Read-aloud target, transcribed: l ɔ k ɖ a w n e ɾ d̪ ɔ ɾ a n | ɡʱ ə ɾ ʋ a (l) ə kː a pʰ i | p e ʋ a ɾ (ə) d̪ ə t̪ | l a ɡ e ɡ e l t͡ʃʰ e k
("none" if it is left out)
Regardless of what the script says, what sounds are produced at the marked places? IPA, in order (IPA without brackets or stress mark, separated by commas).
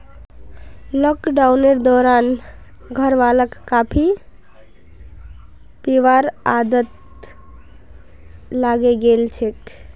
l, a